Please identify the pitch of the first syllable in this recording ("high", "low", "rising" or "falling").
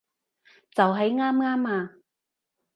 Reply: low